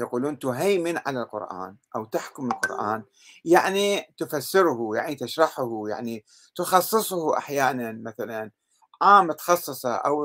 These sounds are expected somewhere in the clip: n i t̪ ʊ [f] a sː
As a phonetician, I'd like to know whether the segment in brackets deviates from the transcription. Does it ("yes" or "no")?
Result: no